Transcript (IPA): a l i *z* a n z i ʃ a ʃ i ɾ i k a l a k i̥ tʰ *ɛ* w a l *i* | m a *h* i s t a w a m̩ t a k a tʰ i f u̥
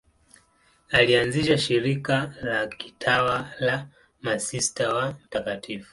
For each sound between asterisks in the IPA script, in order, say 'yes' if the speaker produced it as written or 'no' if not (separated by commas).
no, no, no, no